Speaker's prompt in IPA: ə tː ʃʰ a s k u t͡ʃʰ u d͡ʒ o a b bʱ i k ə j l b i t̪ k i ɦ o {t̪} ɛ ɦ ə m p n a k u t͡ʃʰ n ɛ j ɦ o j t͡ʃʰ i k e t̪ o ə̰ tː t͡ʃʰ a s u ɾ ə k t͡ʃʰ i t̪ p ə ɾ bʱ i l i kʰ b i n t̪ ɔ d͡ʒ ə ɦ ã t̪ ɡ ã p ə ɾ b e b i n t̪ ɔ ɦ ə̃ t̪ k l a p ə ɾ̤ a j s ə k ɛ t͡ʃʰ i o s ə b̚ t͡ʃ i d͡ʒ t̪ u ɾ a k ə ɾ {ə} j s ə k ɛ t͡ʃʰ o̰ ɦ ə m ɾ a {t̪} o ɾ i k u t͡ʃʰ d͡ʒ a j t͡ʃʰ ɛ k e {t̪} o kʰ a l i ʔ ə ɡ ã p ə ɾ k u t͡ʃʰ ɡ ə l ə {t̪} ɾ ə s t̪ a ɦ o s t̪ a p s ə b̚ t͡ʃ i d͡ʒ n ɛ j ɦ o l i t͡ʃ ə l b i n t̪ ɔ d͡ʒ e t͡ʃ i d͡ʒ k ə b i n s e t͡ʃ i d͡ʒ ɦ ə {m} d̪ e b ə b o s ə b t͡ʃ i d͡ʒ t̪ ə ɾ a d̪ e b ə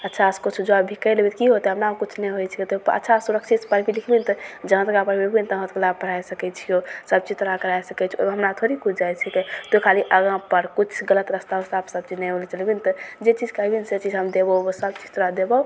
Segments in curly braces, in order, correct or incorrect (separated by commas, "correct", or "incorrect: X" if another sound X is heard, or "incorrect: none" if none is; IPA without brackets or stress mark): correct, incorrect: a, incorrect: t̪ʰ, correct, correct, correct